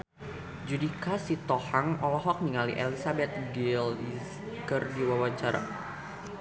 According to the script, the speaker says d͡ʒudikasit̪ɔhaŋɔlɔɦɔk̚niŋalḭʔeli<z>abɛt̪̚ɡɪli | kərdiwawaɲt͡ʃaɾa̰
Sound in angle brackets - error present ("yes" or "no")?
yes